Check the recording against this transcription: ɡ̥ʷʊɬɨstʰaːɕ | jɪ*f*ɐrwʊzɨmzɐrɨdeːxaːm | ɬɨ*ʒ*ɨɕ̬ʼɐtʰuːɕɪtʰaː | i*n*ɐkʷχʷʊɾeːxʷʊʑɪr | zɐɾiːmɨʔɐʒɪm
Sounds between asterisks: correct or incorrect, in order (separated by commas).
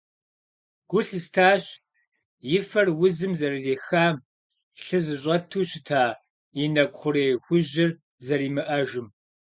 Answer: correct, incorrect, correct